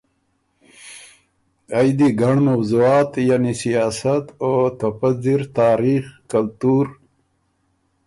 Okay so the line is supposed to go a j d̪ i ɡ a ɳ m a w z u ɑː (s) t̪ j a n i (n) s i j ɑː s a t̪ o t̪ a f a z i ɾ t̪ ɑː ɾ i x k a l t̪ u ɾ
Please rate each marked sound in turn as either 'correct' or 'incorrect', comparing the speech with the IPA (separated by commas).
incorrect, incorrect